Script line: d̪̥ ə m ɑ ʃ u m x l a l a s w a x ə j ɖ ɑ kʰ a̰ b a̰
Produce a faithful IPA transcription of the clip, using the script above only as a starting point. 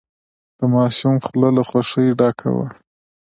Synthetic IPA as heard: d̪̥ ə m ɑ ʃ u m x l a l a x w a ʂ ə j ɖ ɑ kʰ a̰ w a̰